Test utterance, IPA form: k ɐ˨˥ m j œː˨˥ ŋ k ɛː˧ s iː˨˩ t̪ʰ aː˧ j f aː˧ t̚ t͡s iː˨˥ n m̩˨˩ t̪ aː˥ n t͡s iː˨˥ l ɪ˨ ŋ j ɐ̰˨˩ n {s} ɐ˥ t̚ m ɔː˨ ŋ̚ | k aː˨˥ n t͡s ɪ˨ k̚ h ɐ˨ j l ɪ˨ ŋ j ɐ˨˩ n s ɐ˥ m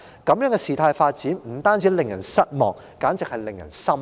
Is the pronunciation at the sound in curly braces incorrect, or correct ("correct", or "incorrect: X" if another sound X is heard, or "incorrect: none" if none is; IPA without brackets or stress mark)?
correct